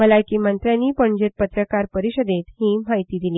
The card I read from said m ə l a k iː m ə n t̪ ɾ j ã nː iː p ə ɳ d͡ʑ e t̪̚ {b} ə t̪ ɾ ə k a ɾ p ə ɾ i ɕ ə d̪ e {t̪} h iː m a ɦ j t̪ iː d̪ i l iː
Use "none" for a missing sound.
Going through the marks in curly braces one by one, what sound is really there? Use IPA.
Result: p, t̪

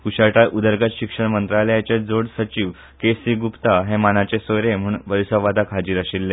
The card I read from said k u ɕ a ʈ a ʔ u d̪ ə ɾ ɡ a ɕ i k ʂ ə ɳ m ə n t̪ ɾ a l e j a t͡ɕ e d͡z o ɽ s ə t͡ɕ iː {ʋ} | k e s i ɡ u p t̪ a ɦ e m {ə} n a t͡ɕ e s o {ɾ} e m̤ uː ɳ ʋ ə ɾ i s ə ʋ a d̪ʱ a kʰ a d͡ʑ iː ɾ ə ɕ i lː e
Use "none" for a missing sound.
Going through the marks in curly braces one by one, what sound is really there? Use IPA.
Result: ʋ, a, ɾ

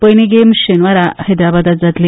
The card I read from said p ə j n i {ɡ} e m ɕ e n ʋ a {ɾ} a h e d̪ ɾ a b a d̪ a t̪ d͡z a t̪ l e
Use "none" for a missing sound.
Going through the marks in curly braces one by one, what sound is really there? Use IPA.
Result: ɡ, ɾ

